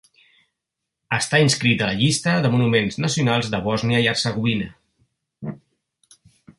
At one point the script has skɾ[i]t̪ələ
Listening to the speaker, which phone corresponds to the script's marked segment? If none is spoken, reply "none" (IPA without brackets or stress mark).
i